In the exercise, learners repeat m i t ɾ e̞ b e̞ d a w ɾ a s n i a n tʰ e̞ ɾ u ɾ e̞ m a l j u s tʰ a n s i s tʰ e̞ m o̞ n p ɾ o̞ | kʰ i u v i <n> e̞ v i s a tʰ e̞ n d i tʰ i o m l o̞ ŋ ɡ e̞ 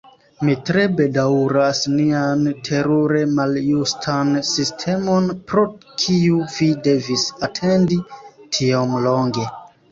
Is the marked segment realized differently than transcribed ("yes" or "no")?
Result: yes